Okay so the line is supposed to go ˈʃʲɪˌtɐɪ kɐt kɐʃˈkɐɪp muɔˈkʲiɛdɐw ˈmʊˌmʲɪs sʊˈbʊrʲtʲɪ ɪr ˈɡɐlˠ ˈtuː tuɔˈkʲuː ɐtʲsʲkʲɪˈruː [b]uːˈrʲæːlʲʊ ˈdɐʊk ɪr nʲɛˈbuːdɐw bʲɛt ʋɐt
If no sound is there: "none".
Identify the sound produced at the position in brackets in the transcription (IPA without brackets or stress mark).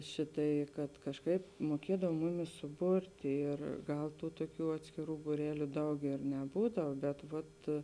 b